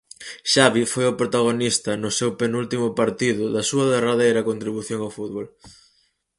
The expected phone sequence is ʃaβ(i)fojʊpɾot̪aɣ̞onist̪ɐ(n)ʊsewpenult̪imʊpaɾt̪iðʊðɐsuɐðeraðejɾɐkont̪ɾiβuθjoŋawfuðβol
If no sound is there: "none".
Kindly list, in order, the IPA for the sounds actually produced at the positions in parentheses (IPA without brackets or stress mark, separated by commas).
i, n